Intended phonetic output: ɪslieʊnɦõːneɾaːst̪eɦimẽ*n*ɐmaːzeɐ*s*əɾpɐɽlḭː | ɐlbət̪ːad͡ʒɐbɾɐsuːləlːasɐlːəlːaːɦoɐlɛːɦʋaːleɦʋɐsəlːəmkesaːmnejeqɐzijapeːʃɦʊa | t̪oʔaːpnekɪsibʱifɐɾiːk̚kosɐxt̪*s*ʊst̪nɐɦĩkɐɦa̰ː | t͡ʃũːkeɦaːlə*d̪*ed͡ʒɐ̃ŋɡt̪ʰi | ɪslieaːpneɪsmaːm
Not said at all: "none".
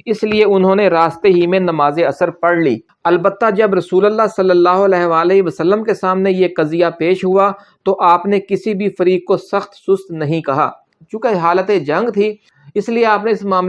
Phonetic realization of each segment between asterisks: n, s, s, t̪

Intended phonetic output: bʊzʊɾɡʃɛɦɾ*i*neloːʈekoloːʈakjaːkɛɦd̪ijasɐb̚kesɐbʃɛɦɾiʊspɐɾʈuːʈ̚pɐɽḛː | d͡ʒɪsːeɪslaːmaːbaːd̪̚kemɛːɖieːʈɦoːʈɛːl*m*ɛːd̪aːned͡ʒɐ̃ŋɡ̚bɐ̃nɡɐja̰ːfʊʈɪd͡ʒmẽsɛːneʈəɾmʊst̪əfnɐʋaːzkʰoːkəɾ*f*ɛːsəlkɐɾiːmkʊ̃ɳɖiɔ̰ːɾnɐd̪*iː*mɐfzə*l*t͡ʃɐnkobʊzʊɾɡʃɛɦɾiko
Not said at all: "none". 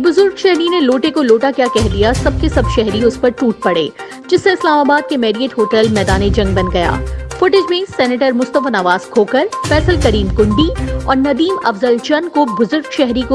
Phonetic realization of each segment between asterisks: i, m, f, iː, l

